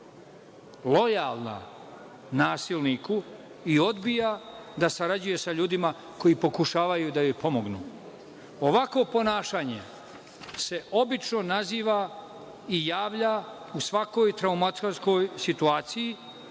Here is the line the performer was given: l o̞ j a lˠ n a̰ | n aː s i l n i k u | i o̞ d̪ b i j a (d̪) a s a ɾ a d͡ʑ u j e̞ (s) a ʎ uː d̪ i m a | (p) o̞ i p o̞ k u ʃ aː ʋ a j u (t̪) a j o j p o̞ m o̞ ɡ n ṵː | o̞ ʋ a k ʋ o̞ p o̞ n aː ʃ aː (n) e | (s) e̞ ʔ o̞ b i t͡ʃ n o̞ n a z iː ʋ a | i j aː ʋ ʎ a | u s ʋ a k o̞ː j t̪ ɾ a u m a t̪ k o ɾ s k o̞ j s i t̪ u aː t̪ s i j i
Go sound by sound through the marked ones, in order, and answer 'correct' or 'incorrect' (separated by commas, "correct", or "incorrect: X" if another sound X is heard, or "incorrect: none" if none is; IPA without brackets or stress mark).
correct, correct, incorrect: k, incorrect: d̪, incorrect: ɲ, correct